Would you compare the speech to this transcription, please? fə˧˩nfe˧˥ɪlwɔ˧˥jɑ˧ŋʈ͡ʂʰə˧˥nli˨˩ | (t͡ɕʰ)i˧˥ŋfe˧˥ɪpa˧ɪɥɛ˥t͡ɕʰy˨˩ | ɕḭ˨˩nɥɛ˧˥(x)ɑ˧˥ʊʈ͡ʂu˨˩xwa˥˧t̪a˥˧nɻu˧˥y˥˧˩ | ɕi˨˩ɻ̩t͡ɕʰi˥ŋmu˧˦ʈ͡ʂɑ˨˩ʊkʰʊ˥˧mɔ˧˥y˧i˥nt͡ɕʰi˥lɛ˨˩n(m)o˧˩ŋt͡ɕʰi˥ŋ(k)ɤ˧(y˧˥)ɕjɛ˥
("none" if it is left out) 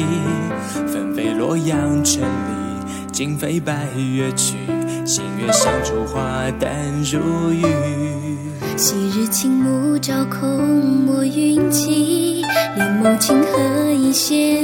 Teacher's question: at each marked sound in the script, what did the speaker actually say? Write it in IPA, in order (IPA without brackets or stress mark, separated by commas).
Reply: t͡ɕ, ɕ, m, x, i˧˥